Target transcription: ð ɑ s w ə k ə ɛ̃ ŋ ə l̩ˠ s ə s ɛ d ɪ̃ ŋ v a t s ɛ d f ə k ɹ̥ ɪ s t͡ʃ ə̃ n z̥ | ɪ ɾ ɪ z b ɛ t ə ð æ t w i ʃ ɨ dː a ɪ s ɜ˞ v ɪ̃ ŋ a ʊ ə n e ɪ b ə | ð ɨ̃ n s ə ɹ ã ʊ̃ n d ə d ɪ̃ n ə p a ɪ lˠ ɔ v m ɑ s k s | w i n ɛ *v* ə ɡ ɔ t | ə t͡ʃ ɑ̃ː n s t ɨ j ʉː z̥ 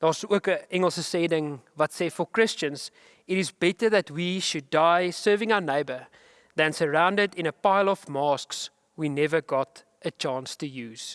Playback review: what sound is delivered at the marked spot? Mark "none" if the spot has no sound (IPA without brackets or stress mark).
v